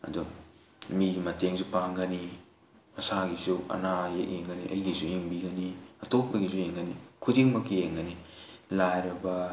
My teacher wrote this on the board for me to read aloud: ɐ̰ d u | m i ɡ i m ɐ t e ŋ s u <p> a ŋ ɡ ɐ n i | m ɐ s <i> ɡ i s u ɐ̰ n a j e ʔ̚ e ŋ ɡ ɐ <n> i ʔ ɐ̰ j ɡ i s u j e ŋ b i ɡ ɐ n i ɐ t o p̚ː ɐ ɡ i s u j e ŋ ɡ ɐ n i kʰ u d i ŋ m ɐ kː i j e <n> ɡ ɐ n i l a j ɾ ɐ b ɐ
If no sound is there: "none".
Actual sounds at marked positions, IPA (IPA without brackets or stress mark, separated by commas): p, a, n, ŋ